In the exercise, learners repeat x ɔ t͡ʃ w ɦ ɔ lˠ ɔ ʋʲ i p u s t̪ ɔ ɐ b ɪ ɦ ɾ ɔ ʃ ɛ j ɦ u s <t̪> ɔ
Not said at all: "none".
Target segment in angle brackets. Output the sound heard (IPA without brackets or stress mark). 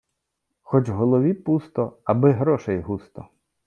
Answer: t̪